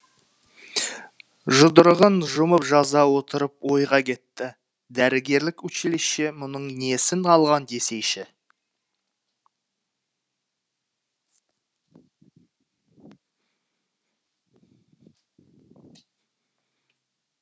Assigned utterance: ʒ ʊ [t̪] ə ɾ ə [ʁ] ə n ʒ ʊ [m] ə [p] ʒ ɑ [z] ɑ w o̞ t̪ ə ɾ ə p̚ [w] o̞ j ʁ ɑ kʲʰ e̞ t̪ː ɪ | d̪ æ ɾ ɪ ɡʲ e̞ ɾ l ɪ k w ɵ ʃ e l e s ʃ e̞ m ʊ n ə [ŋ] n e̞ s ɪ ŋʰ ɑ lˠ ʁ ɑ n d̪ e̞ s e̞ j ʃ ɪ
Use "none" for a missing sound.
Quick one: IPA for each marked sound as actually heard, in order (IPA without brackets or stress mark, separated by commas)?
d̪, ʁ, m, p, z, w, ɴ